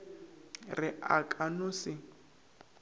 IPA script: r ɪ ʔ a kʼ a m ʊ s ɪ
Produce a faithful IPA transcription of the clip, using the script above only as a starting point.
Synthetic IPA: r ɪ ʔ a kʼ a n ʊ s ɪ